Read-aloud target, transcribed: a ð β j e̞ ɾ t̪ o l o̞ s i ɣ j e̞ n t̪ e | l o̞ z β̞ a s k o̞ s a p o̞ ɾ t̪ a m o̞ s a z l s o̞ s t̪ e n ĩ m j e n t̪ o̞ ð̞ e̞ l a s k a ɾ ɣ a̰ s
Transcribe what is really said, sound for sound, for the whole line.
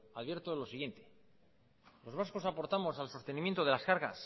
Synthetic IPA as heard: a ð β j e̞ ɾ t̪ o l o̞ s i ɣ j e̞ n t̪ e | l o̞ z β̞ a s k o̞ s a p o̞ ɾ t̪ a m o̞ s a l s o̞ s t̪ e n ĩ m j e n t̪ o̞ ð̞ e̞ l a s k a ɾ ɣ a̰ s